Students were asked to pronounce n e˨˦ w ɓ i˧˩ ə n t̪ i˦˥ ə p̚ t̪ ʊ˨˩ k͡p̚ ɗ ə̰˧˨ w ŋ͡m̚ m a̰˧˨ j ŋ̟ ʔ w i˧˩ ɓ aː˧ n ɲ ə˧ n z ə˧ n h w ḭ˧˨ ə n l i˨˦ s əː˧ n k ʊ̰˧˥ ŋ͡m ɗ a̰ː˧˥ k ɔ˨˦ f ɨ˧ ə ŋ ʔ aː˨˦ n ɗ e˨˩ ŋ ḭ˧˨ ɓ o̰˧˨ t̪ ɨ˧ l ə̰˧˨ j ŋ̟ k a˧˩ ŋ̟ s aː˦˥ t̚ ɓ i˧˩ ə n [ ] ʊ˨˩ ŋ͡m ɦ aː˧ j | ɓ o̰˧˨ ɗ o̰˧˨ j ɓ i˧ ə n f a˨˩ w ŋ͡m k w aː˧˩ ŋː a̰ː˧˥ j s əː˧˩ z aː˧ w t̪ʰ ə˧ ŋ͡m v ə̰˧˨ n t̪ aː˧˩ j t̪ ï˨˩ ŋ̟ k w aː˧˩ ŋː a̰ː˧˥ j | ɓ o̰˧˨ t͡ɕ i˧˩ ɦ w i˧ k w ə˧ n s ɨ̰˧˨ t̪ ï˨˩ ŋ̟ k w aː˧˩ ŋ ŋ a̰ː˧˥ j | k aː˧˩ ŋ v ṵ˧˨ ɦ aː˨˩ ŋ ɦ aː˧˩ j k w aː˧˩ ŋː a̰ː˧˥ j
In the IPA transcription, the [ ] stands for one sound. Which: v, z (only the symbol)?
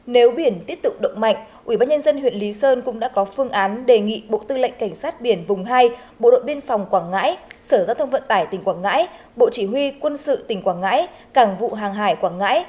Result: v